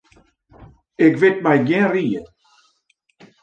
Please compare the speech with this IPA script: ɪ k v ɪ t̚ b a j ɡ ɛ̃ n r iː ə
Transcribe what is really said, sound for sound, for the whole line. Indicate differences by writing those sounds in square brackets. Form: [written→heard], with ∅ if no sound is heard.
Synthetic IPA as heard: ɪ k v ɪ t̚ [b→m] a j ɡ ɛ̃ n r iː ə